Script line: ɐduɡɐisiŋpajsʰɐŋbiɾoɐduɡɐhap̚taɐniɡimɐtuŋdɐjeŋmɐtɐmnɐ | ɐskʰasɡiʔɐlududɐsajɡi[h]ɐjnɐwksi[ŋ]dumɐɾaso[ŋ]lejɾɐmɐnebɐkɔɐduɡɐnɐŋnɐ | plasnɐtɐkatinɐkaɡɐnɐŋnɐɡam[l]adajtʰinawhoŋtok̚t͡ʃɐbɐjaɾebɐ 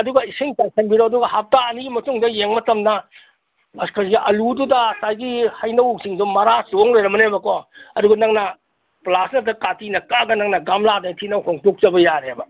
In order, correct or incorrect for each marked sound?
correct, correct, correct, correct

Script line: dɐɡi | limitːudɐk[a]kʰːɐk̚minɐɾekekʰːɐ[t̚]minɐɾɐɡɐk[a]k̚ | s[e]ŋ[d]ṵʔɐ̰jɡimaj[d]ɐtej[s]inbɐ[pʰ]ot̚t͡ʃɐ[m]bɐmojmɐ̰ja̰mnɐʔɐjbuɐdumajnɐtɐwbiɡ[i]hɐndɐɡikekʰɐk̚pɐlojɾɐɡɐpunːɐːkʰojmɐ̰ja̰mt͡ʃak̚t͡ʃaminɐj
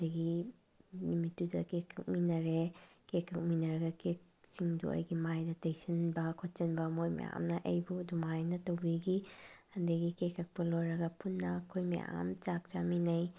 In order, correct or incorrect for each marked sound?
incorrect: e, incorrect: k̚, incorrect: e, incorrect: i, correct, correct, correct, incorrect: kʰ, incorrect: n, correct

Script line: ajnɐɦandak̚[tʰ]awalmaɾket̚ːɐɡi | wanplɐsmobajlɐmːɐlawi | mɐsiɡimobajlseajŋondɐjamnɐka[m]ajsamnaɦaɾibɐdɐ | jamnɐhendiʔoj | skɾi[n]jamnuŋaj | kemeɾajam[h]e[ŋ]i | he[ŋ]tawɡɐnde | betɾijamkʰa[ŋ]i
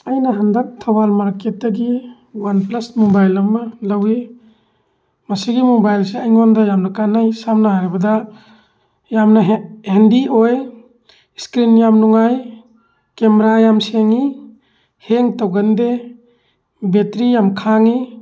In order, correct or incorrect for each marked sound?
correct, incorrect: n, correct, incorrect: s, correct, correct, correct

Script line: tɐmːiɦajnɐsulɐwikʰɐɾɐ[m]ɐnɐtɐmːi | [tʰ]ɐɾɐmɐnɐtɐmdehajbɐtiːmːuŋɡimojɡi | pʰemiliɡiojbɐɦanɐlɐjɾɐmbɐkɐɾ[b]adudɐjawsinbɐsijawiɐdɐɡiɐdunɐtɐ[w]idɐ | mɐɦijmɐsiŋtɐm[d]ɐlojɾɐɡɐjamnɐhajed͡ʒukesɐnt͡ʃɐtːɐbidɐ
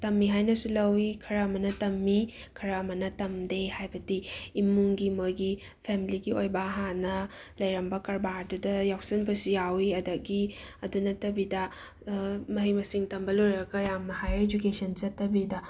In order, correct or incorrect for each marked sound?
correct, incorrect: kʰ, correct, incorrect: b, incorrect: b

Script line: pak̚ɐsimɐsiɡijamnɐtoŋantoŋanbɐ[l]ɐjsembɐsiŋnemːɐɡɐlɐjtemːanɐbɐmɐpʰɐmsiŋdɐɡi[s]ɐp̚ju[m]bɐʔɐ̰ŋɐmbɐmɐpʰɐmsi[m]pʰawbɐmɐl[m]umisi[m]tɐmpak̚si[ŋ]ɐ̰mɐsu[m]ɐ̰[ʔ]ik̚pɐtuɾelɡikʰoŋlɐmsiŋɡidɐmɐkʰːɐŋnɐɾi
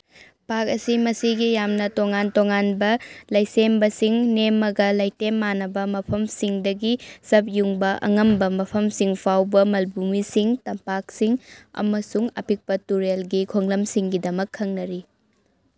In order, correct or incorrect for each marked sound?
correct, correct, incorrect: ŋ, incorrect: ŋ, incorrect: b, incorrect: ŋ, correct, incorrect: ŋ, incorrect: p

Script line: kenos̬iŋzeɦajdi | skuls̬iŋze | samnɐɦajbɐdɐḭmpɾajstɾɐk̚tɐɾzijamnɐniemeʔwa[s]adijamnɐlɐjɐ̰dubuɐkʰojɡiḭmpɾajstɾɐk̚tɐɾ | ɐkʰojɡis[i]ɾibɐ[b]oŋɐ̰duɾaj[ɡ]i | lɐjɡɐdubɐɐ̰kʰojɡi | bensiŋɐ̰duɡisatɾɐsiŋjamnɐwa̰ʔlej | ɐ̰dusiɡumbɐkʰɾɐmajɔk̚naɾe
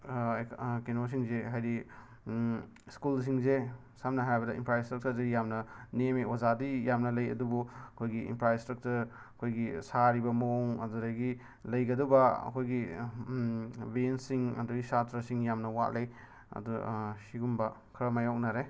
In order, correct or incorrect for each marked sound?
incorrect: z, incorrect: a, incorrect: m, correct

